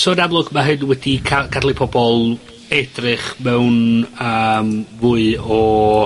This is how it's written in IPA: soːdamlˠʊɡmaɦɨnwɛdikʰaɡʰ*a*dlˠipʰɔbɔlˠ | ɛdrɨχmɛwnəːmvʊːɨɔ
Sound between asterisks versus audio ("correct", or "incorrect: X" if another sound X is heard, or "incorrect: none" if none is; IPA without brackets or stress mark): correct